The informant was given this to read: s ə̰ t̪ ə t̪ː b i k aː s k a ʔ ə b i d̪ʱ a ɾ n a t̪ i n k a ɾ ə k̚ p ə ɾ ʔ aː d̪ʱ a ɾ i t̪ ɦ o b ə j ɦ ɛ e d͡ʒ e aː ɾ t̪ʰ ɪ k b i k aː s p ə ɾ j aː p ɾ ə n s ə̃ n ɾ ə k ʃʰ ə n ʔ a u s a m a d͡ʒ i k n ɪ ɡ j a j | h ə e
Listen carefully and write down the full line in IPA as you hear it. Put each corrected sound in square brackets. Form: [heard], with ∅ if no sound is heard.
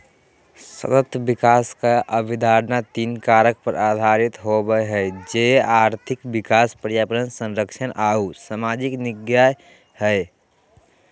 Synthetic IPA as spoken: s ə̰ t̪ ə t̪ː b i k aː s k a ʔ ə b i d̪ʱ a ɾ n a t̪ i n k a ɾ ə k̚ p ə ɾ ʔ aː d̪ʱ a ɾ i t̪ ɦ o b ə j ɦ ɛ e d͡ʒ e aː ɾ t̪ʰ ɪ k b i k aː s p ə ɾ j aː p ɾ ə n s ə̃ n ɾ ə k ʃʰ ə n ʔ a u s a m a d͡ʒ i k n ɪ ɡ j a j | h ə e